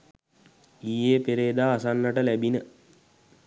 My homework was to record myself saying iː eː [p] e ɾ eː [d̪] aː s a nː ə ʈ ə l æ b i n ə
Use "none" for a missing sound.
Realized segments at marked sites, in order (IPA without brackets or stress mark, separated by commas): p, d̪